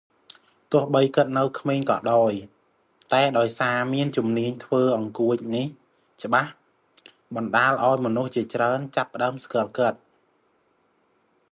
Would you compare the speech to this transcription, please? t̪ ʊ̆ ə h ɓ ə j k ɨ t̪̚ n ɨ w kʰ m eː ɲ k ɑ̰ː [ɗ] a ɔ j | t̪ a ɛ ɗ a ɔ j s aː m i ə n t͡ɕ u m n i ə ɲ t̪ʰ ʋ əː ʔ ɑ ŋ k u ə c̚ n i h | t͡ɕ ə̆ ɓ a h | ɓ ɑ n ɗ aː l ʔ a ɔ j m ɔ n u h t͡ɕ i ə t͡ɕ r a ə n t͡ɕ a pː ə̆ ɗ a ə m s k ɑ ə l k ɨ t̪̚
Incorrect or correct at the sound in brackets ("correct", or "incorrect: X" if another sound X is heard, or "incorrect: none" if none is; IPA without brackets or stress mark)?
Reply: correct